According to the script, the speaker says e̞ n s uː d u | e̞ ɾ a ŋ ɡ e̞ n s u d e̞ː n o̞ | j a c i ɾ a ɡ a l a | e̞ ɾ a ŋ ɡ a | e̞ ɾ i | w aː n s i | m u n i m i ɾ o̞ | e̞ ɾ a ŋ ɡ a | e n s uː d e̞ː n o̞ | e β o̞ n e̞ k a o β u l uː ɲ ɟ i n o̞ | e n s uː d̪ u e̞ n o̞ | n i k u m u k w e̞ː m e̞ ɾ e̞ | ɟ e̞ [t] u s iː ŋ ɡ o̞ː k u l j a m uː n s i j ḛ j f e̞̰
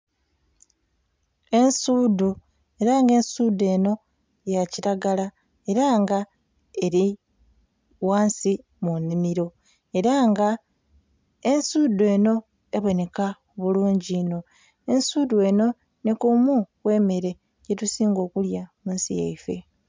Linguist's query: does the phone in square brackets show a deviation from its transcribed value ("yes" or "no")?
no